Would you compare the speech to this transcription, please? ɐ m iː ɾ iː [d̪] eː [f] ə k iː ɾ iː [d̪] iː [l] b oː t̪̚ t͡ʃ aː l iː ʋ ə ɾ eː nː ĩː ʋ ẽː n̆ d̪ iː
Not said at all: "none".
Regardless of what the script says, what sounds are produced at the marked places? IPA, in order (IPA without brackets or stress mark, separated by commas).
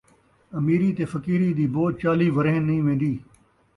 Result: t̪, f, d̪, none